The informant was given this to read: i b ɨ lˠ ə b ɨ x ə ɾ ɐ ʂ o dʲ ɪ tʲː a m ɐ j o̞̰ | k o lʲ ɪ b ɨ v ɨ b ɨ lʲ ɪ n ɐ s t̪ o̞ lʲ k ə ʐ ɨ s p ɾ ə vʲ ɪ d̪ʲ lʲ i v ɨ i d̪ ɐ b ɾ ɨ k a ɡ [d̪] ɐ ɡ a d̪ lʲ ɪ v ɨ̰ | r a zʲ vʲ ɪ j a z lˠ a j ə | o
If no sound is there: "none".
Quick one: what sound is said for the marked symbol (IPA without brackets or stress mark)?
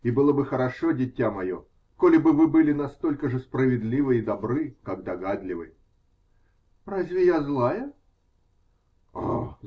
d̪